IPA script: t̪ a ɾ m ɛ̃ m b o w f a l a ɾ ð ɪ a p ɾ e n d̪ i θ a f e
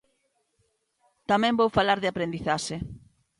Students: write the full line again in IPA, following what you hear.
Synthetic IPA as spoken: t̪ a m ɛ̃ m b o w f a l a ɾ ð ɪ a p ɾ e n d̪ i θ a ʃ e